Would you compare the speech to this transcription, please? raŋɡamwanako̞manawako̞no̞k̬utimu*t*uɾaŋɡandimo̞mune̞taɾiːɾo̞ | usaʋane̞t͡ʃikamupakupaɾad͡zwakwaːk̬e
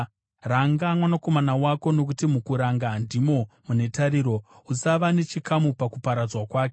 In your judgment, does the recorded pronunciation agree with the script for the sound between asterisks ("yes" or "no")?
no